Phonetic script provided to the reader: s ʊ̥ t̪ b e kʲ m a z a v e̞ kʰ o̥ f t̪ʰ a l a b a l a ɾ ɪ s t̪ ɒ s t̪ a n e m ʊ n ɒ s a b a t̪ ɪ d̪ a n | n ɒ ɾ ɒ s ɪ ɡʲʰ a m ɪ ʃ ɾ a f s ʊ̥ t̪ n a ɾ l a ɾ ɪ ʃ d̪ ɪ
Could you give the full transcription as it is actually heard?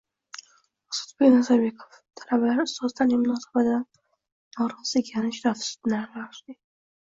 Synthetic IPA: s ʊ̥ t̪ b e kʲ n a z a b e̞ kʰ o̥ f t̪ʰ a l a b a l a ɾ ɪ s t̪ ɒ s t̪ a n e m ʊ n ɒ s a b a t̪ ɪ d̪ a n | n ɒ ɾ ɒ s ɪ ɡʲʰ a n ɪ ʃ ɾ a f s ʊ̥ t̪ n a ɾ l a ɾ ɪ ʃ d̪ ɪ